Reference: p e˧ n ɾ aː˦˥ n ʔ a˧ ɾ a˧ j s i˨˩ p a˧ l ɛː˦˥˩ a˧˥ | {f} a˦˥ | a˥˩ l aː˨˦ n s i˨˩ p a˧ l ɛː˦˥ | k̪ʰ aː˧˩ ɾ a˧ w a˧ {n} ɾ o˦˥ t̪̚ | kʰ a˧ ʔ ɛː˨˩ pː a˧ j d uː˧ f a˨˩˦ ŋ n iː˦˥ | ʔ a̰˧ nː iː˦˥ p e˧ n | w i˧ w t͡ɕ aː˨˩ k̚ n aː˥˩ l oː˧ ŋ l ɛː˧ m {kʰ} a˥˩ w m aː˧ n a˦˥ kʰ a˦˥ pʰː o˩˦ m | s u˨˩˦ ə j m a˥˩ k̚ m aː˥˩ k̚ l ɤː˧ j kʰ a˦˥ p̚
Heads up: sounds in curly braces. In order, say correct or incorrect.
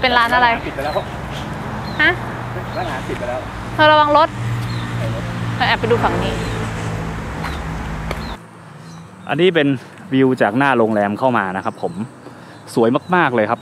incorrect, incorrect, correct

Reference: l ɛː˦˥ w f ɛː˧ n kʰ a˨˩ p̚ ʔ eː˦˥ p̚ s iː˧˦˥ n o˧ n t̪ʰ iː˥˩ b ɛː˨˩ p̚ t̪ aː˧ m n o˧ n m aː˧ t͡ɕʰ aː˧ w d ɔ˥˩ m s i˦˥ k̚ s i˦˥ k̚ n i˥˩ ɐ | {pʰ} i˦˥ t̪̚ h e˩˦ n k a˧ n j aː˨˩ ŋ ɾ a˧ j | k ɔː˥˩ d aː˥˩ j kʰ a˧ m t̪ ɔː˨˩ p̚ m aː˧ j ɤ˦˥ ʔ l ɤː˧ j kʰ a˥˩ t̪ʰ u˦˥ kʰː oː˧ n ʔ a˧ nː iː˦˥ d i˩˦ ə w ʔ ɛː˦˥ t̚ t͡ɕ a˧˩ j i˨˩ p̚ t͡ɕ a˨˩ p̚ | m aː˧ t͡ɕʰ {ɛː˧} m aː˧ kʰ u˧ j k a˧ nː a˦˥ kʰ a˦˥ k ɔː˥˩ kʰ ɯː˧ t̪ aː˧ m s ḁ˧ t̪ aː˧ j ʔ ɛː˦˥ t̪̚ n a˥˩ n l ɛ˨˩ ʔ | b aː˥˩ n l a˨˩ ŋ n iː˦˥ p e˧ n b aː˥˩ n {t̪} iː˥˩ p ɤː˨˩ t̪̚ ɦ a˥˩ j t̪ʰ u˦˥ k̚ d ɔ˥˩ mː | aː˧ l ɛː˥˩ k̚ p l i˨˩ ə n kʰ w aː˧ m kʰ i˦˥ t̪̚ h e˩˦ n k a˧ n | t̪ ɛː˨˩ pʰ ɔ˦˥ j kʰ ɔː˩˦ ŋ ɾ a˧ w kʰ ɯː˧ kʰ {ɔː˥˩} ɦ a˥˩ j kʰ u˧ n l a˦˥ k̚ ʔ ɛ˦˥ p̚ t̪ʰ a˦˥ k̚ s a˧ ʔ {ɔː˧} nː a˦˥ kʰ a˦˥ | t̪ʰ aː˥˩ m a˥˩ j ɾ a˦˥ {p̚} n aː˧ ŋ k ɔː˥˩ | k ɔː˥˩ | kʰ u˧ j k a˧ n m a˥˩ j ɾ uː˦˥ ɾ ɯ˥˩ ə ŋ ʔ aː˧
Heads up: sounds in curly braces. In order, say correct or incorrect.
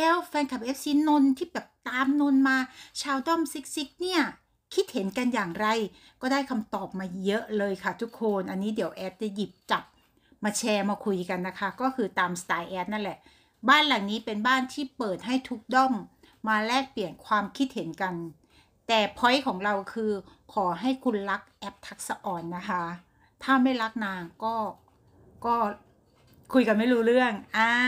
incorrect, correct, incorrect, incorrect, correct, incorrect

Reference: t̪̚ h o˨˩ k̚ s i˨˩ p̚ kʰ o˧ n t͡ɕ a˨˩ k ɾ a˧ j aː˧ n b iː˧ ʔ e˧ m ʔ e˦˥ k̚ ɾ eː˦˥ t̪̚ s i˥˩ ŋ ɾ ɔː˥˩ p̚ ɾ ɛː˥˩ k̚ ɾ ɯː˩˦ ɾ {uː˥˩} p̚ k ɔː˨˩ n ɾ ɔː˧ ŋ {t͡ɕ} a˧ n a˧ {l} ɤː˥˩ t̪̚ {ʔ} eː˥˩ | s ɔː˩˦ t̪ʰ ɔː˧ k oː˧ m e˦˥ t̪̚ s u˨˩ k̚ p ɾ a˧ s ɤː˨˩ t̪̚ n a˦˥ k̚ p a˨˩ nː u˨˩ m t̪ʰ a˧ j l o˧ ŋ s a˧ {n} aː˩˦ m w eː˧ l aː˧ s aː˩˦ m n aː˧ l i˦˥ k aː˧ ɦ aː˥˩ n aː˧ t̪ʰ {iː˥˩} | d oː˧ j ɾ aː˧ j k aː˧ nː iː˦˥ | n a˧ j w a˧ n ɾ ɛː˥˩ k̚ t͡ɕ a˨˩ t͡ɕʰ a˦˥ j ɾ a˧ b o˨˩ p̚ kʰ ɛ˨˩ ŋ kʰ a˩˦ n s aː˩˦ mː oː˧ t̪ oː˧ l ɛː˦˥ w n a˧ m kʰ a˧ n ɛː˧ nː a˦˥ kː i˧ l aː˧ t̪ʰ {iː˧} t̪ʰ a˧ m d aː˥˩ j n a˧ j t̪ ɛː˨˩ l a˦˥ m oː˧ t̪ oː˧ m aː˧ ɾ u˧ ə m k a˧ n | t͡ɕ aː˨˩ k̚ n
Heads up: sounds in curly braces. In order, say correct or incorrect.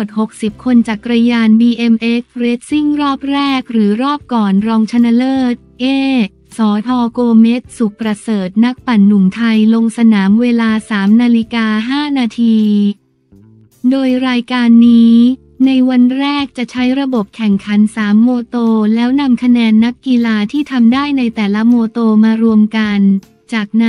incorrect, incorrect, correct, correct, correct, incorrect, incorrect

